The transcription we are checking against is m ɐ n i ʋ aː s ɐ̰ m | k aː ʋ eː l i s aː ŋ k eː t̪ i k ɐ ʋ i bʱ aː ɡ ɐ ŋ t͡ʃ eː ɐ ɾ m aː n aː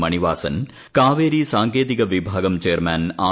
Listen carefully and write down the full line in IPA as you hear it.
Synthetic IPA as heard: m ɐ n i ʋ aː s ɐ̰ n | k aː ʋ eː ɾ i s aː ŋ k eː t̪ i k ɐ ʋ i bʱ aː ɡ ɐ m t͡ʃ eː ɐ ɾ m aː n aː